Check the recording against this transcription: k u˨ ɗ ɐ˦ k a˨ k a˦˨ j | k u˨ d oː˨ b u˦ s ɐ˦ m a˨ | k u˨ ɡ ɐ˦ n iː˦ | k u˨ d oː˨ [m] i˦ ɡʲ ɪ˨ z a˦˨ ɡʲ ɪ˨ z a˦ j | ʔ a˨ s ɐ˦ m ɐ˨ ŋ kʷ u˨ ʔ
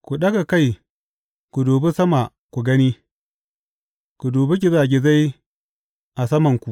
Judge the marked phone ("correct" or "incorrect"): incorrect